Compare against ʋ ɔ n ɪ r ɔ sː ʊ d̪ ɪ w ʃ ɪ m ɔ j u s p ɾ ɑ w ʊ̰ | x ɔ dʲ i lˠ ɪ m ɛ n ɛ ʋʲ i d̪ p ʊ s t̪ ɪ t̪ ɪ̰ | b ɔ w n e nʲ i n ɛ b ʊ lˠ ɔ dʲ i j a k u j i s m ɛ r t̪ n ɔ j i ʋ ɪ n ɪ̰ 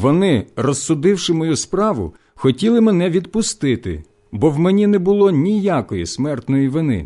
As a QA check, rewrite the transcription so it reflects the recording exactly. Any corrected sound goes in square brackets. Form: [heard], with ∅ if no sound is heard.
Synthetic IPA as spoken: ʋ ɔ n ɪ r ɔ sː ʊ d̪ ɪ w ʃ ɪ m ɔ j u s p ɾ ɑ [ʋ] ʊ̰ | x ɔ [tʲ] i lˠ ɪ m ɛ n ɛ ʋʲ i d̪ p ʊ s t̪ ɪ t̪ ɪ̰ | b ɔ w [m] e nʲ i n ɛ b ʊ lˠ ɔ [nʲ] i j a k [ɔ] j i s m ɛ r t̪ n ɔ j i ʋ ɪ n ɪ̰